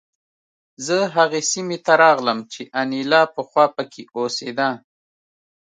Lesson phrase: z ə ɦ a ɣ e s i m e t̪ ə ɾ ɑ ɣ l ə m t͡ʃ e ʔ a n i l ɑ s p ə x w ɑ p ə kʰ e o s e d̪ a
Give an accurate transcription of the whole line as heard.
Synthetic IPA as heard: z ə ɦ a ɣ e s i m e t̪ a ɾ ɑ ɣ l ə m t͡ʃ e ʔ a n i l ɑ p ə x w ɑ p ə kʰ e o s e d̪ a